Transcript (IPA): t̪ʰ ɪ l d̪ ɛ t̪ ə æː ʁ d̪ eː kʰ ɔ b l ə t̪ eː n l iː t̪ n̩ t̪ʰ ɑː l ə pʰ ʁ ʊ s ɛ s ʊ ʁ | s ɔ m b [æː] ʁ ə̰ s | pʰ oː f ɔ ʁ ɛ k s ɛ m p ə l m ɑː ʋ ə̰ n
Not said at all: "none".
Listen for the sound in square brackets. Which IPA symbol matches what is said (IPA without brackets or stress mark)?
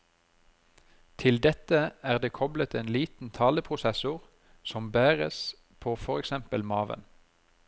æː